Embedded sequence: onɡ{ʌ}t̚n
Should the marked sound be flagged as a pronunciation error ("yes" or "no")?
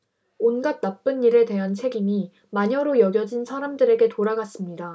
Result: yes